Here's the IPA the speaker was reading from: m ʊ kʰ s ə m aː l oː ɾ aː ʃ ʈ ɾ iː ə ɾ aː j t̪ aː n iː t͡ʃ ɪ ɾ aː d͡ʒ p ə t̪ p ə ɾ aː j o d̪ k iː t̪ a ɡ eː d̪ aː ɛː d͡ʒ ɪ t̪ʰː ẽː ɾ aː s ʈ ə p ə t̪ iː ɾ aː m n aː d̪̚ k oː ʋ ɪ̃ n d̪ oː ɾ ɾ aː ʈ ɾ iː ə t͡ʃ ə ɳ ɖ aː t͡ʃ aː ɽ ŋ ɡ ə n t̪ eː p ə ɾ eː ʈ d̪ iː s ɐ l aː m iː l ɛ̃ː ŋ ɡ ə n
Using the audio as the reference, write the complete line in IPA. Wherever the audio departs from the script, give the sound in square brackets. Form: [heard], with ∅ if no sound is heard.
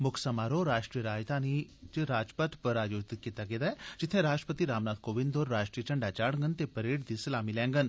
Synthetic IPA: m ʊ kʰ s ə m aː [ɾ] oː ɾ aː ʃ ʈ ɾ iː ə ɾ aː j t̪ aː n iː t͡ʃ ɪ ɾ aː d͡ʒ p ə t̪ p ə ɾ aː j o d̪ k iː t̪ a ɡ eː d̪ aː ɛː d͡ʒ ɪ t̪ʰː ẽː ɾ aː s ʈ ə p ə t̪ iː ɾ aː m n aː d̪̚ k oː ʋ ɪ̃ n d̪ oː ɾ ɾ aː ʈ ɾ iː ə t͡ʃ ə ɳ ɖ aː t͡ʃ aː ɽ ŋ ɡ ə n t̪ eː p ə ɾ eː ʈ d̪ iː s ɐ l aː m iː l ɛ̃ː ŋ ɡ ə n

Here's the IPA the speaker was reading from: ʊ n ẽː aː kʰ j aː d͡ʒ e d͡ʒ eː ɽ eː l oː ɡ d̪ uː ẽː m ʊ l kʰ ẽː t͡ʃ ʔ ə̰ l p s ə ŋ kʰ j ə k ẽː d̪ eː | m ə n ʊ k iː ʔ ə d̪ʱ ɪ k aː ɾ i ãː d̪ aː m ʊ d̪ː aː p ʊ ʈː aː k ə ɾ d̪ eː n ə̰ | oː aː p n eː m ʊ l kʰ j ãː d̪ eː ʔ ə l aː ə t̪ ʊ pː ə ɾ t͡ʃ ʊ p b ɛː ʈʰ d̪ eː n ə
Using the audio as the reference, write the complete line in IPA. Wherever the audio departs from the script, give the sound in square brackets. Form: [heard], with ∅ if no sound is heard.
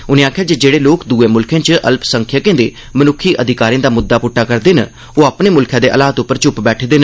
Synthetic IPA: ʊ n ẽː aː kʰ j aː d͡ʒ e d͡ʒ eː ɽ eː l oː [k] d̪ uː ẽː m ʊ l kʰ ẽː t͡ʃ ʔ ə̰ l p s ə ŋ kʰ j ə k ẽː d̪ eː | m ə n ʊ [kʰ] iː ʔ ə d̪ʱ ɪ k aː ɾ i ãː d̪ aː m ʊ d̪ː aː p ʊ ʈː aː k ə ɾ d̪ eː n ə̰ | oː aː p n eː m ʊ l kʰ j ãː d̪ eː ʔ ə l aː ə t̪ ʊ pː ə ɾ t͡ʃ ʊ p b ɛː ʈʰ d̪ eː n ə

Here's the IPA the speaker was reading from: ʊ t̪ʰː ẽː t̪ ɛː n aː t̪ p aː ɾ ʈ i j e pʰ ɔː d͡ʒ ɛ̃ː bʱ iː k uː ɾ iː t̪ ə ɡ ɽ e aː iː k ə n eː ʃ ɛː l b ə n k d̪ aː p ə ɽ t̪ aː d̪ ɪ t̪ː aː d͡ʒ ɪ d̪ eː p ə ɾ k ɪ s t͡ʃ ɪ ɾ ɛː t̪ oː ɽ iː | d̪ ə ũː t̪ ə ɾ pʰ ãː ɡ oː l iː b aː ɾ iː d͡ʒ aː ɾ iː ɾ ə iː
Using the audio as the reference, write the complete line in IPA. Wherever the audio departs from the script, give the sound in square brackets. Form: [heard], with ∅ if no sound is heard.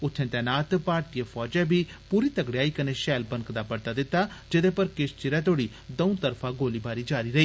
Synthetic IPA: ʊ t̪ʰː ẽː t̪ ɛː n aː t̪ p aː ɾ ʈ i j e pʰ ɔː d͡ʒ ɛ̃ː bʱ iː [p] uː ɾ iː t̪ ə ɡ ɽ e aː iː k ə n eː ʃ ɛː l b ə n k d̪ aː p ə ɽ t̪ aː d̪ ɪ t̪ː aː d͡ʒ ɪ d̪ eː p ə ɾ k ɪ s t͡ʃ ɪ ɾ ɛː t̪ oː ɽ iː | d̪ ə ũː t̪ ə ɾ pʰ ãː ɡ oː l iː b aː ɾ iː d͡ʒ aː ɾ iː ɾ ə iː

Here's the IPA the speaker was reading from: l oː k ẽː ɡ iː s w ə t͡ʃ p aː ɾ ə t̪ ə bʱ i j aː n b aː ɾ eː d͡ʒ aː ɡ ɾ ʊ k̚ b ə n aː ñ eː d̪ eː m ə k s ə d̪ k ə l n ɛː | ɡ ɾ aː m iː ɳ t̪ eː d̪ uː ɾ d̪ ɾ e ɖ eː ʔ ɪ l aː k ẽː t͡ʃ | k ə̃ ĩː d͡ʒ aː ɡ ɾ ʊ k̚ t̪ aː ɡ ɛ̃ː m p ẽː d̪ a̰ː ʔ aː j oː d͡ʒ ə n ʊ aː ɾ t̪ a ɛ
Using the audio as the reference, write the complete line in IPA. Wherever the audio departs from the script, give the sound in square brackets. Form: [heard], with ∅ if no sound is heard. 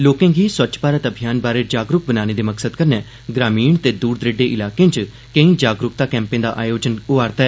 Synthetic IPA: l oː k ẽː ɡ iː s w ə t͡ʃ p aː ɾ ə t̪ ə bʱ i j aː n b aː ɾ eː d͡ʒ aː ɡ ɾ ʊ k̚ b ə n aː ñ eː d̪ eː m ə k s ə d̪ k ə [ɾ] n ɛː | ɡ ɾ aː m iː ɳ t̪ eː d̪ uː ɾ d̪ ɾ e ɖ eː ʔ ɪ l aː k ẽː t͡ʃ | k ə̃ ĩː d͡ʒ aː ɡ ɾ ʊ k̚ t̪ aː [k] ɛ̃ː m p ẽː d̪ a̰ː ʔ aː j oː d͡ʒ ə n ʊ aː ɾ t̪ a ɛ

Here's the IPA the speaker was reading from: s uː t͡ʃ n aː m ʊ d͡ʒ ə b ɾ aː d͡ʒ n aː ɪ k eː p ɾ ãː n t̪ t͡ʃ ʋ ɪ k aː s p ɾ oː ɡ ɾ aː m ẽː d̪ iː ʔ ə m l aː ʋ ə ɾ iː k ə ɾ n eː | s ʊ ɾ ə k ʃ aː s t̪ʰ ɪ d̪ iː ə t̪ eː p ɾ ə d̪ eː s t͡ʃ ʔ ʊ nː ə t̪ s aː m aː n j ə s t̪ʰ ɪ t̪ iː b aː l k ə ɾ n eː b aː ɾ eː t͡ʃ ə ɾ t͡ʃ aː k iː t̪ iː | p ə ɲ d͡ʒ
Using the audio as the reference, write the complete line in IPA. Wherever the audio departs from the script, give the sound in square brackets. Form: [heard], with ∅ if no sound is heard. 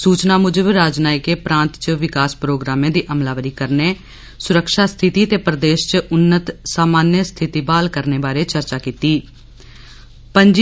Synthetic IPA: s uː t͡ʃ n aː m ʊ d͡ʒ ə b ɾ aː d͡ʒ n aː ɪ k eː p ɾ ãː n t̪ t͡ʃ ʋ ɪ k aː s p ɾ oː ɡ ɾ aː m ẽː d̪ iː ʔ ə m l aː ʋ ə ɾ iː k ə ɾ n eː | s ʊ ɾ ə k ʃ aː s t̪ʰ ɪ [t̪] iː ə t̪ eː p ɾ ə d̪ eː [ʃ] t͡ʃ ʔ ʊ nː ə t̪ s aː m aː n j ə s t̪ʰ ɪ t̪ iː b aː l k ə ɾ n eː b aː ɾ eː t͡ʃ ə ɾ t͡ʃ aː k iː t̪ iː | p ə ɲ d͡ʒ

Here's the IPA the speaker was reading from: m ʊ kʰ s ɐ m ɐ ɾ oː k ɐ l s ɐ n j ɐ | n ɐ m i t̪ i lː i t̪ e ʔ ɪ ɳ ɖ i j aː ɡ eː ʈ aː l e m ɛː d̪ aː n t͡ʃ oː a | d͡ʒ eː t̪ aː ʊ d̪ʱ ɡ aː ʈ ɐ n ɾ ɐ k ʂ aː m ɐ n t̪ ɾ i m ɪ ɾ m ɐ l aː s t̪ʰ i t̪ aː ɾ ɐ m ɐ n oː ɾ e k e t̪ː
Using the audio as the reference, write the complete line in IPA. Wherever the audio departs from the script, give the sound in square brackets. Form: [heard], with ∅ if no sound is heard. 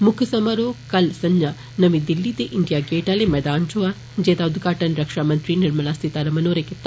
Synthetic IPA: m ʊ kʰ s ɐ m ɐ ɾ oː k ɐ l s ɐ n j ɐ | n ɐ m i [d̪] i lː i t̪ e ʔ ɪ ɳ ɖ i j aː ɡ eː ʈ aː l e m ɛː d̪ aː n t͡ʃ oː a | d͡ʒ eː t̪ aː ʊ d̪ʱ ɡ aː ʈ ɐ n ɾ ɐ k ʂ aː m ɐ n t̪ ɾ i [n] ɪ ɾ m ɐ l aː s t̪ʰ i t̪ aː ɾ ɐ m ɐ n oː ɾ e k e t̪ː

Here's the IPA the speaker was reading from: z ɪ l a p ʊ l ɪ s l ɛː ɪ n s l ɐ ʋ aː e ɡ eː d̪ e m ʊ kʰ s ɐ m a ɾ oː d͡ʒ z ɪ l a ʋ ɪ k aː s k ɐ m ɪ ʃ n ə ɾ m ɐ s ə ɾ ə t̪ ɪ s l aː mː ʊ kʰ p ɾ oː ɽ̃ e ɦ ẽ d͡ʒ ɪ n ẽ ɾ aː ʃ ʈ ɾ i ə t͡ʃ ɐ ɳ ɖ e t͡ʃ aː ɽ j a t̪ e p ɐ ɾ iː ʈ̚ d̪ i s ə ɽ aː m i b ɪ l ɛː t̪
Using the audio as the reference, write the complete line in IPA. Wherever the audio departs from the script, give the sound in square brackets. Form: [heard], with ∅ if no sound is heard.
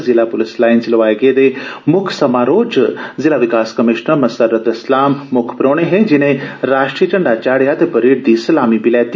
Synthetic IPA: z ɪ l a p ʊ l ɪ s l [aː] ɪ n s l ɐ ʋ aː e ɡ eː d̪ e m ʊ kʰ s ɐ m a ɾ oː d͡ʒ z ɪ l a ʋ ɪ k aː s k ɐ m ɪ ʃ n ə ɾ m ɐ s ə ɾ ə t̪ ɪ s l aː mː ʊ kʰ p ɾ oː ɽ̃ e ɦ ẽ d͡ʒ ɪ n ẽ ɾ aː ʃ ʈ ɾ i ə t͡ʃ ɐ ɳ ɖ [a] t͡ʃ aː ɽ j a t̪ e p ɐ ɾ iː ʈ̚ d̪ i s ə [l] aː m i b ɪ l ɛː t̪

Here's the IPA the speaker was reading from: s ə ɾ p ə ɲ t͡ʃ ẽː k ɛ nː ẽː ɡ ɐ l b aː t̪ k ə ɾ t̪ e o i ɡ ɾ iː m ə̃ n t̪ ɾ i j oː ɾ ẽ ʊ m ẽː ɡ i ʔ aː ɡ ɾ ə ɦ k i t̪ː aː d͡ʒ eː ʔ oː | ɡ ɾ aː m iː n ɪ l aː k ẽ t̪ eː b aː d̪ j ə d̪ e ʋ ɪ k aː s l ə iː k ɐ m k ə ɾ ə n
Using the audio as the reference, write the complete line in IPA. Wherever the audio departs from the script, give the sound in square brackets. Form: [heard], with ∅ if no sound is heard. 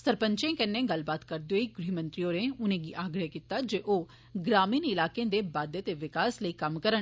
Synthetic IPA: s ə ɾ p ə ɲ t͡ʃ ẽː k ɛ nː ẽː ɡ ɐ l b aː t̪ k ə ɾ [d̪] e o i ɡ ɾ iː m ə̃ n t̪ ɾ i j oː ɾ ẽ ʊ [n] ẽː ɡ i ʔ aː ɡ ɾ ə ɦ k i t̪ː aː d͡ʒ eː ʔ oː | ɡ ɾ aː m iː n ɪ l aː k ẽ [d̪] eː b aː d̪ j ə [t̪] e ʋ ɪ k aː s l ə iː k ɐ m k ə ɾ ə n

